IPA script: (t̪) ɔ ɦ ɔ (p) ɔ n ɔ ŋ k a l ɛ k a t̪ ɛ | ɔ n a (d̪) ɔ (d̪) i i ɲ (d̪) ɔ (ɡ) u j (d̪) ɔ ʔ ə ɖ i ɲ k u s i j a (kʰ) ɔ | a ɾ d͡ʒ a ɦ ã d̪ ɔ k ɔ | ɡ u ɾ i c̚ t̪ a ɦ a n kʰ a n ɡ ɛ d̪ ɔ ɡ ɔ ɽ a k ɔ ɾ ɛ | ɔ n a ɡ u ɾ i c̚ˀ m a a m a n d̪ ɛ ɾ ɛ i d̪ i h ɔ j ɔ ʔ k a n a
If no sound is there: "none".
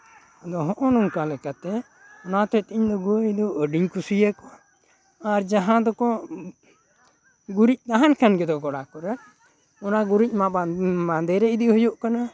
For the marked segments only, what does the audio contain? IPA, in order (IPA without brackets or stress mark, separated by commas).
d̪, ʔ, t̪, t̪, d̪, ɡ, d̪, k